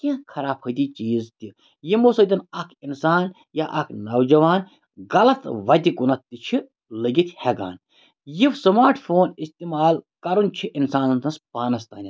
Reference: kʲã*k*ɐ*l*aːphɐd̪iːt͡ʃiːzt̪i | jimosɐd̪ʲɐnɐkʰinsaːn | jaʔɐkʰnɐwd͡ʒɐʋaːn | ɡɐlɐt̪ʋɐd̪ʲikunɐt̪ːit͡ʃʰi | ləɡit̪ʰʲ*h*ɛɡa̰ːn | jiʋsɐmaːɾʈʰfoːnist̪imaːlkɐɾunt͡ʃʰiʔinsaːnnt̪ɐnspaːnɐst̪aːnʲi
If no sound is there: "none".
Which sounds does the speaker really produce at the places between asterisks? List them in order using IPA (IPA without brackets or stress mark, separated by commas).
kʰ, ɾ, h